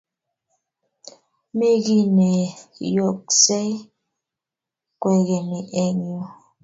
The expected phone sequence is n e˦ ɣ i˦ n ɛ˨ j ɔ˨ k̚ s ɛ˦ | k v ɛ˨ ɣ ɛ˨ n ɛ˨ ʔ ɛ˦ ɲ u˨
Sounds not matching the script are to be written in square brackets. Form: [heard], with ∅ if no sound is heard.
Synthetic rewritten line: [m] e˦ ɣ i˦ n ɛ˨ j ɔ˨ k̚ s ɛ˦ | k [w] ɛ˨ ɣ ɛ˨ n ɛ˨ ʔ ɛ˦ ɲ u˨